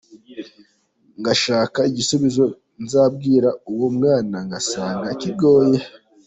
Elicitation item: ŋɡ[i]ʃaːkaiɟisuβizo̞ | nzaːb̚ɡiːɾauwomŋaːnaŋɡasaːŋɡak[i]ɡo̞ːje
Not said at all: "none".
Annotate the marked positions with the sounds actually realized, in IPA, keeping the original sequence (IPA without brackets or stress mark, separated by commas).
a, i